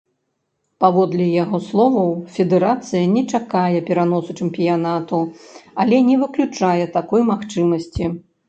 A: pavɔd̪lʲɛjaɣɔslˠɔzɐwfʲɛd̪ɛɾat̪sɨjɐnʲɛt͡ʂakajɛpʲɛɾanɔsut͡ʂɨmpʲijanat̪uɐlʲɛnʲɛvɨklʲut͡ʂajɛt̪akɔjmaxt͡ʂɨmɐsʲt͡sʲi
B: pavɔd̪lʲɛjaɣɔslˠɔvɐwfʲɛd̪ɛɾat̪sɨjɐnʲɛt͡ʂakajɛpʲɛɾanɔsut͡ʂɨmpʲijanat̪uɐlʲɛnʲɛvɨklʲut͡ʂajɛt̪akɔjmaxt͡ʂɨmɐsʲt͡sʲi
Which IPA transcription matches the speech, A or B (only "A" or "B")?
B